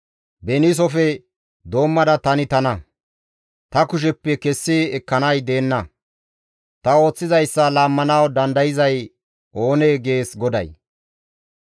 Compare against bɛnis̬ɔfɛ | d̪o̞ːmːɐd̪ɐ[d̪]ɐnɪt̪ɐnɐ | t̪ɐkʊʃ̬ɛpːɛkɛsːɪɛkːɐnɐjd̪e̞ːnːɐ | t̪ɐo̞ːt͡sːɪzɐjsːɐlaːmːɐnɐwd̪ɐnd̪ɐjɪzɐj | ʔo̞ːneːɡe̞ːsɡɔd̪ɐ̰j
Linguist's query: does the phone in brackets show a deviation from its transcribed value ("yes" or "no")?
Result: yes